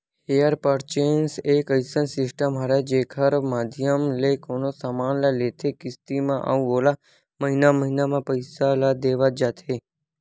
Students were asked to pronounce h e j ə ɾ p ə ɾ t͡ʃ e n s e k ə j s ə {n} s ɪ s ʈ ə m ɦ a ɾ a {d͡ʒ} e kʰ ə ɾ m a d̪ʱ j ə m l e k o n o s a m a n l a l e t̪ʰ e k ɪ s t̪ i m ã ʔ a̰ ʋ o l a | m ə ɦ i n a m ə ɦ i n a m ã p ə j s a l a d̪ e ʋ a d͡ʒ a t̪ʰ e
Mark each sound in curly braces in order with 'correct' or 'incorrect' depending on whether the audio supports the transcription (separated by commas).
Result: correct, correct